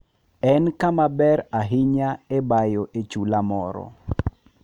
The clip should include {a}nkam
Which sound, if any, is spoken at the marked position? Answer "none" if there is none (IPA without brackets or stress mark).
ɛ